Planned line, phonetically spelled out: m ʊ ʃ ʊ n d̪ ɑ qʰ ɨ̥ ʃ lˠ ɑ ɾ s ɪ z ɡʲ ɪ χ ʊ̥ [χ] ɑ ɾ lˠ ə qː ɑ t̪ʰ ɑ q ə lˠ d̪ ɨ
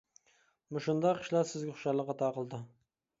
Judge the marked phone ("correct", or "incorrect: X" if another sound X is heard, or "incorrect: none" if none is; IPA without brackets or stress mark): incorrect: ʃ